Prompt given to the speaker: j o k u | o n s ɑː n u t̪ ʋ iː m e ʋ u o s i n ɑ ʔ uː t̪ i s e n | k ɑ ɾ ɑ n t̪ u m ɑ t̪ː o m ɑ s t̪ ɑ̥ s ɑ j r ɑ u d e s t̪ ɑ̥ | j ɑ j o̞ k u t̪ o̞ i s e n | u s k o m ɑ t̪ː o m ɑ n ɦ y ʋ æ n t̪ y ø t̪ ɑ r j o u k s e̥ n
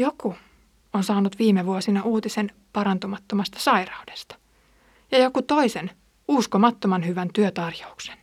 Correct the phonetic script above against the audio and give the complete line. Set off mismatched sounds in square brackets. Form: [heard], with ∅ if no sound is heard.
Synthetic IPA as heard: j o k u | o n s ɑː n u t̪ ʋ iː m e ʋ u o s i n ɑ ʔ uː t̪ i s e n | [p] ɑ ɾ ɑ n t̪ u m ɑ t̪ː o m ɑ s t̪ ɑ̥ s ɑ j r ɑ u d e s t̪ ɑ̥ | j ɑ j o̞ k u t̪ o̞ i s e n | u s k o m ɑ t̪ː o m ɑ n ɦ y ʋ æ n t̪ y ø t̪ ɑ r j o u k s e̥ n